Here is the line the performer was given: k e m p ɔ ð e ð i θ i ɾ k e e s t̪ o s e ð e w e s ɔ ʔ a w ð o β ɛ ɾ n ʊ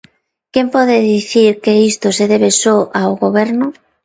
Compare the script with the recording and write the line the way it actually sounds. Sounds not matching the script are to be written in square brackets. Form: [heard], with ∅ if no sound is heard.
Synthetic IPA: k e m p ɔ ð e ð i θ i ɾ k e [i] s t̪ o s e ð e [β] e s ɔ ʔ a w [ɣ] o β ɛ ɾ n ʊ